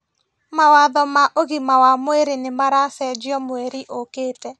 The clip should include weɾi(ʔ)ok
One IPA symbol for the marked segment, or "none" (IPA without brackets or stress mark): ʔ